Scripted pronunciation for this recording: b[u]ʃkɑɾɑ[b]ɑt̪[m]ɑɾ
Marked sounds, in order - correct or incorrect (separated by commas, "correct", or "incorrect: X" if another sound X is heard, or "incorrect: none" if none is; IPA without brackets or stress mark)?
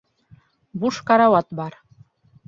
correct, incorrect: w, incorrect: b